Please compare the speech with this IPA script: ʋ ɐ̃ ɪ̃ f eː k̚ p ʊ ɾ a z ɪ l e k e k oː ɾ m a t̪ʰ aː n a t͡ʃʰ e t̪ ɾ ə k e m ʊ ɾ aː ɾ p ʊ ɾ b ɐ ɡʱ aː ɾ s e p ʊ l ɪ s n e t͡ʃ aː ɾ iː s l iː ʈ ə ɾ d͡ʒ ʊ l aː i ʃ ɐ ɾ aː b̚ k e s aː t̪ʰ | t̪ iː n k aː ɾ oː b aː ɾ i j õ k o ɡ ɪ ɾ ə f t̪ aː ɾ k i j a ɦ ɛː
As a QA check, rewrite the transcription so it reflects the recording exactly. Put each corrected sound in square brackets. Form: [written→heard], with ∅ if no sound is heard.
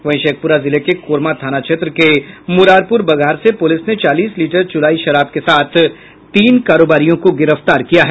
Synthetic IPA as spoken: ʋ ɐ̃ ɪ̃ [f→ʃ] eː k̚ p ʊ ɾ a z ɪ l e k e k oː ɾ m a t̪ʰ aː n a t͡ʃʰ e t̪ ɾ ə k e m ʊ ɾ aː ɾ p ʊ ɾ b ɐ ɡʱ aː ɾ s e p ʊ l ɪ s n e t͡ʃ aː [ɾ→l] iː s l iː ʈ ə ɾ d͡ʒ ʊ l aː i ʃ ɐ ɾ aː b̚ k e s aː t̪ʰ | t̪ iː n k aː ɾ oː b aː ɾ i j õ k o ɡ ɪ ɾ ə f t̪ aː ɾ k i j a ɦ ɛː

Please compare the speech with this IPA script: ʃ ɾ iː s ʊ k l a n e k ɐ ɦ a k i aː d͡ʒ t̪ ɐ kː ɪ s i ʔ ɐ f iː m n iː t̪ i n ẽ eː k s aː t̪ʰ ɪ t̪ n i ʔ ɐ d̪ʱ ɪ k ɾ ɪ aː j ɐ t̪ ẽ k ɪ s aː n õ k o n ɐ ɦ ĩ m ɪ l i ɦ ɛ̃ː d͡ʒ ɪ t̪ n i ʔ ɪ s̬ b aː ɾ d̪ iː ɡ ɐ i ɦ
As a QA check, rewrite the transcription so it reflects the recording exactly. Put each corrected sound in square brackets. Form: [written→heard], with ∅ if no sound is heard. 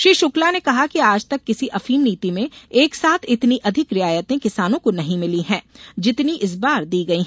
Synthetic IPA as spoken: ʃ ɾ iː [s→ʃ] ʊ k l a n e k ɐ ɦ a k i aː d͡ʒ t̪ ɐ kː ɪ s i ʔ ɐ f iː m n iː t̪ i [n→m] ẽ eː k s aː t̪ʰ ɪ t̪ n i ʔ ɐ d̪ʱ ɪ k ɾ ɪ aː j [ɐ→ə] t̪ ẽ k ɪ s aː n õ k o n ɐ ɦ ĩ m ɪ l i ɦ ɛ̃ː d͡ʒ ɪ t̪ n i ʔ ɪ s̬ b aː ɾ d̪ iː ɡ ɐ i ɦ

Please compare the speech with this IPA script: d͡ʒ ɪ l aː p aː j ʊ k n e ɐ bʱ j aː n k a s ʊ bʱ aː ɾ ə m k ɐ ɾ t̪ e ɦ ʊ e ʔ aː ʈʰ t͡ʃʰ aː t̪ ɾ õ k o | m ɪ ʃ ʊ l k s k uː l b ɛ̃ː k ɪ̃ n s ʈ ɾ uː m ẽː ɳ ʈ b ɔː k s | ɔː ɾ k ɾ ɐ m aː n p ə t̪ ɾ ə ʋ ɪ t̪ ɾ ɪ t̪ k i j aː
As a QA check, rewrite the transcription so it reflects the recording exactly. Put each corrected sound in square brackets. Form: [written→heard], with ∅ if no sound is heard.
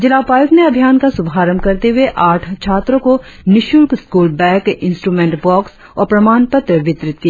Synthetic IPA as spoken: d͡ʒ ɪ l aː p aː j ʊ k n e ɐ bʱ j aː n k a s ʊ bʱ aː ɾ ə m k ɐ ɾ t̪ e ɦ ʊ e ʔ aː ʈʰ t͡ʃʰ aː t̪ ɾ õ k o | [m→n] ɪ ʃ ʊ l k s k uː l b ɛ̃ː k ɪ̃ n s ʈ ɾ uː m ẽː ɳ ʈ b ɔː k s | ɔː ɾ [k→p] ɾ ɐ m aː n p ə t̪ ɾ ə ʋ ɪ t̪ ɾ ɪ t̪ k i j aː

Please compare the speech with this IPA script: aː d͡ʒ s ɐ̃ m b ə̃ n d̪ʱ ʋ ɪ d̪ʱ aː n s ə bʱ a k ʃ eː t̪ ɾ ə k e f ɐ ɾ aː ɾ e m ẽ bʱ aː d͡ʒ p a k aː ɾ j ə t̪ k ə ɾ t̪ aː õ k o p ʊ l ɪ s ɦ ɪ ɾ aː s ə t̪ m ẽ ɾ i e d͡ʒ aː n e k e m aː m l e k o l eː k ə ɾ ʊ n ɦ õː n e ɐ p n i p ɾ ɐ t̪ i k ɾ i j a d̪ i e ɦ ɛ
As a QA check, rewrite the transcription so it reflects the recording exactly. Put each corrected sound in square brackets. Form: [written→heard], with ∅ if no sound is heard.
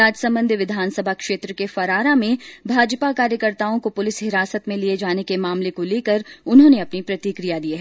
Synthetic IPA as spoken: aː d͡ʒ s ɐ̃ m b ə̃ n d̪ʱ ʋ ɪ d̪ʱ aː n s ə bʱ a k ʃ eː t̪ ɾ ə k e f ɐ ɾ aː ɾ [e→a] m ẽ bʱ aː d͡ʒ p a k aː ɾ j ə [t̪→∅] k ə ɾ t̪ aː õ k o p ʊ l ɪ s ɦ ɪ ɾ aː s ə t̪ m ẽ [ɾ→l] i e d͡ʒ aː n e k e m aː m l e k o l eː k ə ɾ ʊ n ɦ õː n e ɐ p n i p ɾ ɐ t̪ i k ɾ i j a d̪ i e ɦ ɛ

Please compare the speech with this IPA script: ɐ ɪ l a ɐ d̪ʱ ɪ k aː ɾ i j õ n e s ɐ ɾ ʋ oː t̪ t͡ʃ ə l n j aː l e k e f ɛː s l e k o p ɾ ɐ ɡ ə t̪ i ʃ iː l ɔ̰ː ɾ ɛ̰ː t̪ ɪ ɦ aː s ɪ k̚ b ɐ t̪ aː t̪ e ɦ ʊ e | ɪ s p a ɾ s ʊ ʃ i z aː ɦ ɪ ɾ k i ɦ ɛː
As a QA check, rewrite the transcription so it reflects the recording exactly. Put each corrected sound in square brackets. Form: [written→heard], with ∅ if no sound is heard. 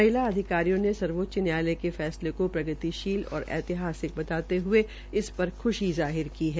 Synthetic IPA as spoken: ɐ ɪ l a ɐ d̪ʱ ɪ k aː ɾ i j õ n e s ɐ ɾ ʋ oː t̪ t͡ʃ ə [l→∅] n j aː l e k e f ɛː s l e k o p ɾ ɐ ɡ ə t̪ i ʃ iː l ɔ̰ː ɾ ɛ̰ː t̪ ɪ ɦ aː s ɪ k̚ b ɐ t̪ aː t̪ e ɦ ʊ e | ɪ s p [a→ɐ] ɾ [s→x] ʊ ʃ i z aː ɦ ɪ ɾ k i ɦ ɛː

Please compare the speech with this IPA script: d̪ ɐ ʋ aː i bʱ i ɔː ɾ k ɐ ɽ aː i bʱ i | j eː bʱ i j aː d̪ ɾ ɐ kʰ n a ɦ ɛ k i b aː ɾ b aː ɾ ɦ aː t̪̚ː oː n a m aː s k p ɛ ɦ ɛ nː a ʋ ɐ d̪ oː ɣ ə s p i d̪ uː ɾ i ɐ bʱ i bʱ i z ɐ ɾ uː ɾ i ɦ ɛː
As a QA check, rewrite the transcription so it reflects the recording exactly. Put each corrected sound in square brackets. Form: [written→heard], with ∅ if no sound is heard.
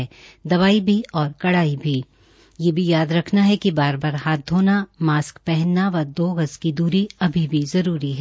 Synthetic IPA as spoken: d̪ ɐ ʋ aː i bʱ i ɔː ɾ k ɐ ɽ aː i bʱ i | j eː bʱ i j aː d̪ ɾ ɐ kʰ n a ɦ ɛ k i b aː ɾ b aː ɾ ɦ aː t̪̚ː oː n a m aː s k p ɛ ɦ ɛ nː a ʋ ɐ d̪ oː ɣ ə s [p→k] i d̪ uː ɾ i ɐ bʱ i bʱ i z ɐ ɾ uː ɾ i ɦ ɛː

